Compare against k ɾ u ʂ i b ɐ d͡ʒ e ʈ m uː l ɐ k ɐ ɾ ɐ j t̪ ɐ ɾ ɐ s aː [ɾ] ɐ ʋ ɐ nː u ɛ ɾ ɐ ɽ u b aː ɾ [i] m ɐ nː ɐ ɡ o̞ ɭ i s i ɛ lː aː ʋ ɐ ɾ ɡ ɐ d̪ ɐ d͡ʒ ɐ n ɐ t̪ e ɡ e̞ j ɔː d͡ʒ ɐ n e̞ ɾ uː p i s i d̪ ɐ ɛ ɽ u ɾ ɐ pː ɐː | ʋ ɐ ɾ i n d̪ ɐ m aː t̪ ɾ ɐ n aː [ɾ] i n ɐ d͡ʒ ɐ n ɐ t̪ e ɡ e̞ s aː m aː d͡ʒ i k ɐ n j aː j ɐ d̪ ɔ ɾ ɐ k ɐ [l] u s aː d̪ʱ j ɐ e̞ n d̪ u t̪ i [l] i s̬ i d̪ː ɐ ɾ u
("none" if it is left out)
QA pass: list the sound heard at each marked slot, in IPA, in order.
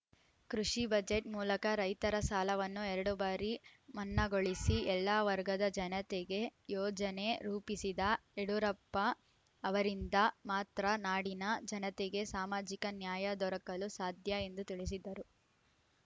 l, i, ɽ, l, ɭ

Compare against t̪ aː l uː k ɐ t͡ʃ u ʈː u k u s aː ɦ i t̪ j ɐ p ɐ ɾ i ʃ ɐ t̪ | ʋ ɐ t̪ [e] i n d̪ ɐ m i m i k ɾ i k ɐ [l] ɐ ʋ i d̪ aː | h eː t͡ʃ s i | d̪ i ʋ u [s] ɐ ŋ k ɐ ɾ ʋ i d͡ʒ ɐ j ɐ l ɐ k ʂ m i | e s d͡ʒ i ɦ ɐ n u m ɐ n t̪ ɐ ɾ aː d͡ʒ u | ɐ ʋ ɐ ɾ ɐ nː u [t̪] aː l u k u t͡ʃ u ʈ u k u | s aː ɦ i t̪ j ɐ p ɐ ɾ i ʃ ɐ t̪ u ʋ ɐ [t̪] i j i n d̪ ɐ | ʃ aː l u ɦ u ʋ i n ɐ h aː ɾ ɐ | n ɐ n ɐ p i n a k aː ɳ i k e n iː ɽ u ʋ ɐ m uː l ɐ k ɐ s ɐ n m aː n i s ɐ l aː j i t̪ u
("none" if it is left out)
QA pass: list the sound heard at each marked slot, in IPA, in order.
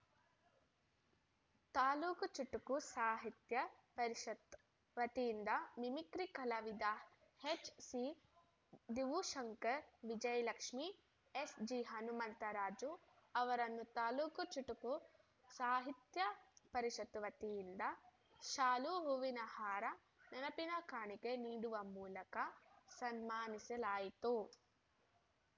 i, l, ʃ, t̪, t̪

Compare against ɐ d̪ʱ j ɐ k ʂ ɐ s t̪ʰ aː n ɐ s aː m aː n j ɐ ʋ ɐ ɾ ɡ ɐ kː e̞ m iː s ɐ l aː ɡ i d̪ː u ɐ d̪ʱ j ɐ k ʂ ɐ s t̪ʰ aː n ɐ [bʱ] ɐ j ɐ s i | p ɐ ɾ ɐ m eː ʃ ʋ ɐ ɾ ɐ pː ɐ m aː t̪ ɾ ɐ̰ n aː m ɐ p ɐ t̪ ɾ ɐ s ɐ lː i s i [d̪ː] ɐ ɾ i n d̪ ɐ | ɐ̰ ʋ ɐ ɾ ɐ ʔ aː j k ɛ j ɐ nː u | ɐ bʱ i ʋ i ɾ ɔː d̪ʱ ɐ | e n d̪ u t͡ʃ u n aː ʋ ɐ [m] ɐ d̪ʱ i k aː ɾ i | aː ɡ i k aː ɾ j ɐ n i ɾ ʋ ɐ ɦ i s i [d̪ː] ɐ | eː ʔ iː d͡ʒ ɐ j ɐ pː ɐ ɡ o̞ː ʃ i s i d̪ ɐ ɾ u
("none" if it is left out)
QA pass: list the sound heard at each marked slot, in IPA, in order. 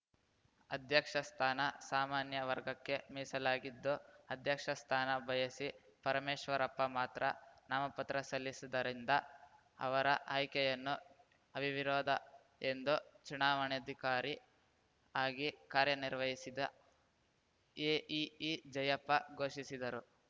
bʱ, d̪, ɳ, d̪

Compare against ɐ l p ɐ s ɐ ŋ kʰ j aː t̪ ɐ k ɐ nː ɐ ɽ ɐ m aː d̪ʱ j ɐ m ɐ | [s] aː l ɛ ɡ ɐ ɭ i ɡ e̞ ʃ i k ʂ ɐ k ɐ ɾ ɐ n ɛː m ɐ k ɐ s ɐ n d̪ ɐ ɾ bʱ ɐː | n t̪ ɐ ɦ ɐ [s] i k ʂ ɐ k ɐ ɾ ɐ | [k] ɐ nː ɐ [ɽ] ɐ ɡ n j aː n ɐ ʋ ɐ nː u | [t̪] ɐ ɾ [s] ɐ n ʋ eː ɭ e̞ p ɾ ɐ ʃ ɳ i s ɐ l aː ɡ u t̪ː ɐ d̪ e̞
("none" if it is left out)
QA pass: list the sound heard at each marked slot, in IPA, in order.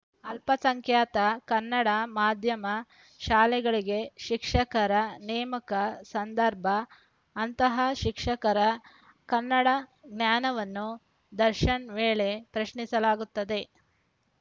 ʃ, ʃ, k, ɽ, d̪, ʃ

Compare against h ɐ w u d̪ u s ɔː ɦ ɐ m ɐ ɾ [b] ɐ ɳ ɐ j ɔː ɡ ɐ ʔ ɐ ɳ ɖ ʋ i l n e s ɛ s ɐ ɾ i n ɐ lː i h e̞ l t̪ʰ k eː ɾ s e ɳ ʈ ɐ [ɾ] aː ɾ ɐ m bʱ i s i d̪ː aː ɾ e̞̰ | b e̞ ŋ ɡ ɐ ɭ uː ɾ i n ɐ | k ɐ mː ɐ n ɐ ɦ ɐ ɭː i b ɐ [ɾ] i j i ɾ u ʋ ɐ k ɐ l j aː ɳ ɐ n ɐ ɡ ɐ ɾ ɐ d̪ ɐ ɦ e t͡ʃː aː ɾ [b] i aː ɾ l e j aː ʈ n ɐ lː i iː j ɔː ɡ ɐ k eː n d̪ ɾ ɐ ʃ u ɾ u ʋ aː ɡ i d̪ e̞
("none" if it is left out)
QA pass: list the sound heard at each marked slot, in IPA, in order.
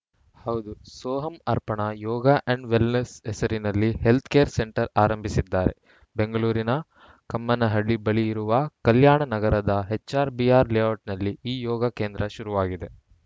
p, ɾ, ɭ, b

